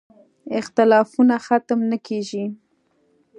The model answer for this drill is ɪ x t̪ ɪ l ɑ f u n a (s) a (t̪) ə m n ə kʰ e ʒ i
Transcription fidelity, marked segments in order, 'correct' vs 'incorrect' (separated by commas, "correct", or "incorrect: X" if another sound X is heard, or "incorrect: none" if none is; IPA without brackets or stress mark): incorrect: x, correct